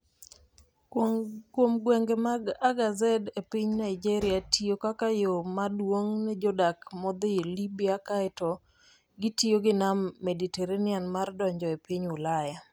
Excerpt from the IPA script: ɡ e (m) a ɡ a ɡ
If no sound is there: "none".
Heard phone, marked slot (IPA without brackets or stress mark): m